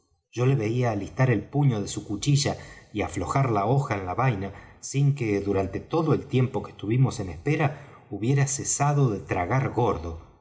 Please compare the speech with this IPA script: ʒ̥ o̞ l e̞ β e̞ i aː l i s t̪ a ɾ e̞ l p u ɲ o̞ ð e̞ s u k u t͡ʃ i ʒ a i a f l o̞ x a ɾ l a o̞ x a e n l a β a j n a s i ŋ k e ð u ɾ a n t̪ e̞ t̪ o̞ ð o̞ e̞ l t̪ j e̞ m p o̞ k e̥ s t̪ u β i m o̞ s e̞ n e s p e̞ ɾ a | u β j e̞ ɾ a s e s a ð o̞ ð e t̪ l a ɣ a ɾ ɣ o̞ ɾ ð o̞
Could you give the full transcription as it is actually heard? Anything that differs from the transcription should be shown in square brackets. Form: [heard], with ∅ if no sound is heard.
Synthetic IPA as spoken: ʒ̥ o̞ l e̞ β e̞ i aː l i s t̪ a ɾ e̞ l p u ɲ o̞ ð e̞ s u k u t͡ʃ i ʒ a i a f l o̞ x a ɾ l a o̞ x a e n l a β a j n a s i ŋ k e ð u ɾ a n t̪ e̞ t̪ o̞ ð o̞ e̞ l t̪ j e̞ m p o̞ k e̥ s t̪ u β i m o̞ s e̞ n e s p e̞ ɾ a | u β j e̞ ɾ a s e s a ð o̞ ð e t̪ [ɾ] a ɣ a ɾ ɣ o̞ ɾ ð o̞